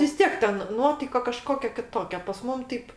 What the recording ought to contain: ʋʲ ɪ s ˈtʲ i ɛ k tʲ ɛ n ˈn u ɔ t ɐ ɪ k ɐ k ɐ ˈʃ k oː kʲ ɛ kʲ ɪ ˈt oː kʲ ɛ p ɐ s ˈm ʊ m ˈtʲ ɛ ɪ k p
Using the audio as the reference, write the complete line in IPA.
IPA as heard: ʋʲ ɪ s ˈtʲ i ɛ k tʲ ɛ n ˈn u ɔ t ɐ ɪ k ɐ k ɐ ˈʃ k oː kʲ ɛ kʲ ɪ ˈt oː kʲ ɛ p ɐ s ˈm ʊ m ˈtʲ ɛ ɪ p